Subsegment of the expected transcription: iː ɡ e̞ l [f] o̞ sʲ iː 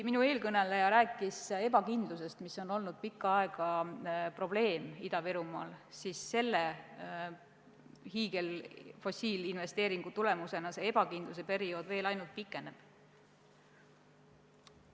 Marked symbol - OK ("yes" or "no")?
yes